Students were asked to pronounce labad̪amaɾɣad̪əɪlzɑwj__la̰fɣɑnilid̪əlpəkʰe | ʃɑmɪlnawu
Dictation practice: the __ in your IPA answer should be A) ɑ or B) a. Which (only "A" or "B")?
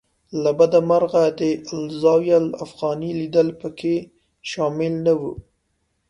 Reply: B